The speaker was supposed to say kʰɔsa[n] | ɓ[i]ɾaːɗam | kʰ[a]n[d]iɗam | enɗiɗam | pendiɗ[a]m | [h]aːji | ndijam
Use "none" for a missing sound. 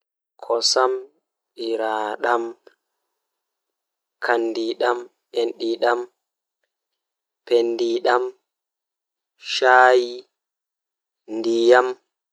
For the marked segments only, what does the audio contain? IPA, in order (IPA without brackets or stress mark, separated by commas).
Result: m, i, a, d, a, ʃ